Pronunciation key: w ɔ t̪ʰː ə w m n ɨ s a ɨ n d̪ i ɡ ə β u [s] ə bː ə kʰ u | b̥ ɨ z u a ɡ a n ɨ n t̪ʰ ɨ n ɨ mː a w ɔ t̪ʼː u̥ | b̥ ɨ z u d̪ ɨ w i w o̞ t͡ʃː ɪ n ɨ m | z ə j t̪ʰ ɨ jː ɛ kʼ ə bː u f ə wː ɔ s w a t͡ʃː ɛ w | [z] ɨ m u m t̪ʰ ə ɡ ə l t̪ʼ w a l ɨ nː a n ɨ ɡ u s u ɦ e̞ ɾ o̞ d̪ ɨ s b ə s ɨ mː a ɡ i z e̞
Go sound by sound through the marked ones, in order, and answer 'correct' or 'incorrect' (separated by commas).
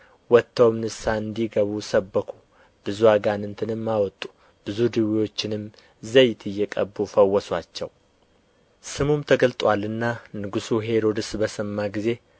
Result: correct, incorrect